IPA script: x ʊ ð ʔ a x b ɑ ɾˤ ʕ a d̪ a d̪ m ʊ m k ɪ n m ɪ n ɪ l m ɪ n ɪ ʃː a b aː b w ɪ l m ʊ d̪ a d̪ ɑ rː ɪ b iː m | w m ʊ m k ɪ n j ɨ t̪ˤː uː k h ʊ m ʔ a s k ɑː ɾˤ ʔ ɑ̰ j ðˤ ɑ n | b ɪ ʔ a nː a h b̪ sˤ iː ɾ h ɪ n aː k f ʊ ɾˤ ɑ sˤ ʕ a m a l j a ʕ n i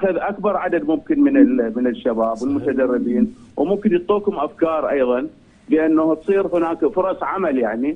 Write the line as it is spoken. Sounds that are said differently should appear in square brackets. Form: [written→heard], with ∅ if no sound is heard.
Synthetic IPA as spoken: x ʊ ð ʔ a [x→k] b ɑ ɾˤ ʕ a d̪ a d̪ m ʊ m k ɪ n m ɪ n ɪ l m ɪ n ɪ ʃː a b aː b w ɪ l m ʊ [d̪→t̪] a d̪ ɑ rː ɪ b iː [m→n] | w m ʊ m k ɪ n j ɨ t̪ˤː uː k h ʊ m ʔ a [s→f] k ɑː ɾˤ ʔ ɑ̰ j ðˤ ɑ n | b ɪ ʔ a nː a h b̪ sˤ iː ɾ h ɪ n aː k f ʊ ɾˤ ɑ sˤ ʕ a m a l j a ʕ n i